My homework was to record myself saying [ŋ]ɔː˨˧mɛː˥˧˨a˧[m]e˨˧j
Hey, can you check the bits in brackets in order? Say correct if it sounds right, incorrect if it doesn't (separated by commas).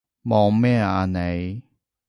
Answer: incorrect, incorrect